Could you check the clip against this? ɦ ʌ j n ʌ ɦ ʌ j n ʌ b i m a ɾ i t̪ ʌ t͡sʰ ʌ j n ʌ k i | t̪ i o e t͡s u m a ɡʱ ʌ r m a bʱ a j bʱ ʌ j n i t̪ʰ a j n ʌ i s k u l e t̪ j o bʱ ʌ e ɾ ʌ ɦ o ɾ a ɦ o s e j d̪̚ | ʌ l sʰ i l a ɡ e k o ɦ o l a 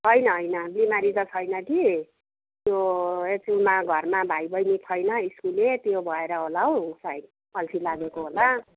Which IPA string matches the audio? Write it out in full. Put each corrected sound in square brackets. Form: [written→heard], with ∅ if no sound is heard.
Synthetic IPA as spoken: ɦ ʌ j n ʌ ɦ ʌ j n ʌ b i m a ɾ i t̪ ʌ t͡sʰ ʌ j n ʌ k i | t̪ [i→j] o e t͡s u m a ɡʱ ʌ r m a bʱ a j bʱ ʌ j n i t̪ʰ [a→ʌ] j n ʌ i s k u l e t̪ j o bʱ ʌ e ɾ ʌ ɦ o [ɾ→l] a ɦ o s [e→a] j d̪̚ | ʌ l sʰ i l a ɡ e k o ɦ o l a